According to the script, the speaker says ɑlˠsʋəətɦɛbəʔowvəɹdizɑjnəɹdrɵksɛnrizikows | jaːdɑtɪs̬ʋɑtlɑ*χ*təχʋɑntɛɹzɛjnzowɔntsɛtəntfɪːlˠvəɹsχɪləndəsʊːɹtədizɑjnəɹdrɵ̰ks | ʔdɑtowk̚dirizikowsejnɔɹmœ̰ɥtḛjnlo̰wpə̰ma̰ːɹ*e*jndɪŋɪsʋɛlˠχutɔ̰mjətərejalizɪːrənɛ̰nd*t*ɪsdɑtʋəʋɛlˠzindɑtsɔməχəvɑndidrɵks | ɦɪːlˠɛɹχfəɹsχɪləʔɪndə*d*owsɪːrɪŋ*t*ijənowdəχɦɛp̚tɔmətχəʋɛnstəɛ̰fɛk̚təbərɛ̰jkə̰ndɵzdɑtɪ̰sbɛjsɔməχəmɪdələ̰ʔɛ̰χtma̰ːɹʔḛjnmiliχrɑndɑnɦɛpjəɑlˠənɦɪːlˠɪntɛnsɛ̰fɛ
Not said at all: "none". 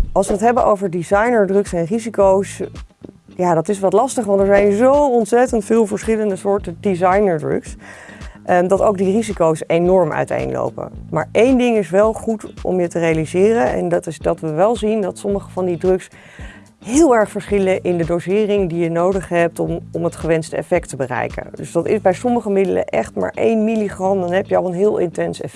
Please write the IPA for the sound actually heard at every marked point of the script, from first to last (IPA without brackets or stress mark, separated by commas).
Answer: s, e, t, d, d